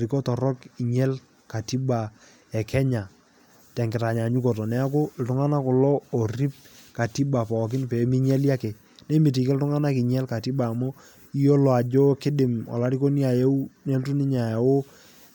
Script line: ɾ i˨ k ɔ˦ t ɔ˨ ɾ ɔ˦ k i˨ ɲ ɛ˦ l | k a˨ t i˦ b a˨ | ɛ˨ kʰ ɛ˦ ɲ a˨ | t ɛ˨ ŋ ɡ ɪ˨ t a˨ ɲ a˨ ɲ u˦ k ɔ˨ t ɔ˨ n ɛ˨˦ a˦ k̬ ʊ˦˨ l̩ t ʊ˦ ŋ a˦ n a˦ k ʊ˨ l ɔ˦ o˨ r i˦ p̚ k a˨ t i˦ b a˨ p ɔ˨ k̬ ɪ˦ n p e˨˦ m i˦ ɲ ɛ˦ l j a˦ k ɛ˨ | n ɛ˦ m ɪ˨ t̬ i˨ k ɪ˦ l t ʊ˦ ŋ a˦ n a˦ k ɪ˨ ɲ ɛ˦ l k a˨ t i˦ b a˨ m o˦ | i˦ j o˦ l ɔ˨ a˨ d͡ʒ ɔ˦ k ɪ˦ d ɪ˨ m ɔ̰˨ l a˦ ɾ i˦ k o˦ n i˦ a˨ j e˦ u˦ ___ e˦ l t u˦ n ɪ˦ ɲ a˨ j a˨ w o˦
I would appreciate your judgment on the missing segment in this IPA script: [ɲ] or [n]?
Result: n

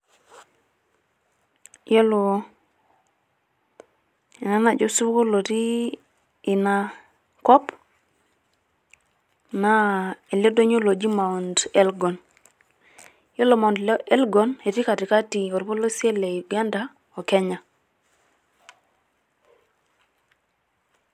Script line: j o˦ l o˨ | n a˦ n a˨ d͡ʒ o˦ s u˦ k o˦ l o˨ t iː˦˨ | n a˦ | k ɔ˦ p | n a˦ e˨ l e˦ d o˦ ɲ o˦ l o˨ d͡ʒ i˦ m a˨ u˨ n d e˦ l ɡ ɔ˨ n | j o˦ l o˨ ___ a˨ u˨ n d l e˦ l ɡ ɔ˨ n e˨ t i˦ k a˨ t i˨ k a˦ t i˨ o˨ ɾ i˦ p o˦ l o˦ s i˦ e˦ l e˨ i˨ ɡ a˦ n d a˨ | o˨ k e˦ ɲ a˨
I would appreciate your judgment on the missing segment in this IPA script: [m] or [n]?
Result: m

